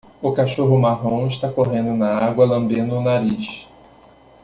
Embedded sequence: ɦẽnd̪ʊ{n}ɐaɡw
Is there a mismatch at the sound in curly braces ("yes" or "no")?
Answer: no